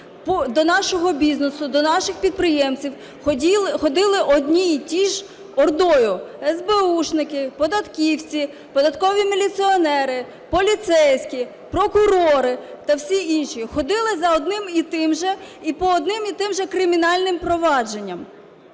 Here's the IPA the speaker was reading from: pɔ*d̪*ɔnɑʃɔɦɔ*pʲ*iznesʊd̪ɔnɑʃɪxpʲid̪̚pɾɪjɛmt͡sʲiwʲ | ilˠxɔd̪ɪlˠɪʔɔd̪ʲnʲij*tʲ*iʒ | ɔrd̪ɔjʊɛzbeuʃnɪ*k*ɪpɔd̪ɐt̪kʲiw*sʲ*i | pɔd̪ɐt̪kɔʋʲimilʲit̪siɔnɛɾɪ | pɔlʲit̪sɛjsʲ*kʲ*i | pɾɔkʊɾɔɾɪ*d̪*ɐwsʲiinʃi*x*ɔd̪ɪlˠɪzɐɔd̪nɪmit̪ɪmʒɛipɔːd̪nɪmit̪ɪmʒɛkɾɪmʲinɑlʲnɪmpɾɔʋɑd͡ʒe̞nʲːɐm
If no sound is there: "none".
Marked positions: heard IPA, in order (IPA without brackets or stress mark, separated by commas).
d̪, bʲ, tʲ, k, t͡sʲ, kʲ, t̪, x